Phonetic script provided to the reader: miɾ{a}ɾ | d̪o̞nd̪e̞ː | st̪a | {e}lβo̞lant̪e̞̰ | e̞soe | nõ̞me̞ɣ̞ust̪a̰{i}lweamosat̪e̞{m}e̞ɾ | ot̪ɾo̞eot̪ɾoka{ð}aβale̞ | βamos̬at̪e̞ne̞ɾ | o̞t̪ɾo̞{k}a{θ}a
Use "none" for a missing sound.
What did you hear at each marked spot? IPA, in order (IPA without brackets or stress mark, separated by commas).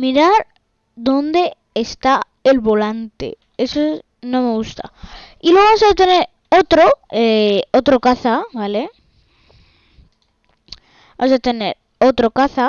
a, e, i, n, θ, k, θ